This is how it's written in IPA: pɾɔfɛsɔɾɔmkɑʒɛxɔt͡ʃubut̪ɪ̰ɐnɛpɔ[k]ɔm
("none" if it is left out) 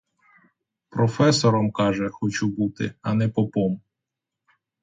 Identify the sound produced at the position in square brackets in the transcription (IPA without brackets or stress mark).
p